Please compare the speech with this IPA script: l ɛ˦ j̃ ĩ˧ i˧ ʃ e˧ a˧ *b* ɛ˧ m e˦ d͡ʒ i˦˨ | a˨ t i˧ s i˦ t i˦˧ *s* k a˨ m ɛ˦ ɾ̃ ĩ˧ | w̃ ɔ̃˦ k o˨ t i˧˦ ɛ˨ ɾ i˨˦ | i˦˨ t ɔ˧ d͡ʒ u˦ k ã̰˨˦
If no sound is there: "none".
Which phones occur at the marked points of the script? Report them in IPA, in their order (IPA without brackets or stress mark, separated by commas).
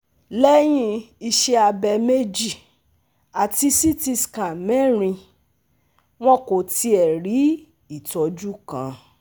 b, s